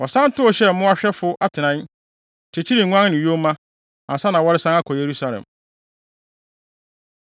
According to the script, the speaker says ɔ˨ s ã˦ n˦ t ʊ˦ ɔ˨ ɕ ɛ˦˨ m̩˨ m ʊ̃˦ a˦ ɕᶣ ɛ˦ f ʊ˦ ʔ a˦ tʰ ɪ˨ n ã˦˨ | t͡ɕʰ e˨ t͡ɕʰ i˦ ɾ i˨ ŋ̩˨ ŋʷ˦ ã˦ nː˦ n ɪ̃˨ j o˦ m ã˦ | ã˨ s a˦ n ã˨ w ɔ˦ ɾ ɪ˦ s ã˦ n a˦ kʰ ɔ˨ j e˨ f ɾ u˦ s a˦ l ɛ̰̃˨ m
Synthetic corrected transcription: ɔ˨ s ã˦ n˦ t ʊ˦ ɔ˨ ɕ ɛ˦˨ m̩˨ m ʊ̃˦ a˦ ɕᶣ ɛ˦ f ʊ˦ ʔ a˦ tʰ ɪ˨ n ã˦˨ | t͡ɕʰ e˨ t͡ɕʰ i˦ ɾ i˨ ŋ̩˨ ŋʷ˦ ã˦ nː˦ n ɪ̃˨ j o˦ m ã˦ | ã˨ s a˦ n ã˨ w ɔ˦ ɾ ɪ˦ s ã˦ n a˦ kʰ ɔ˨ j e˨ ɾ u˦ s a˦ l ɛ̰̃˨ m